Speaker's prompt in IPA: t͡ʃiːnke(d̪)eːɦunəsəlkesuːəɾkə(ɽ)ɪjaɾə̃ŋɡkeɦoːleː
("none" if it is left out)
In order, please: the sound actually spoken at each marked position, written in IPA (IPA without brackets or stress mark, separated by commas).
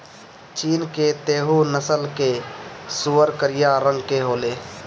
t̪, ɾ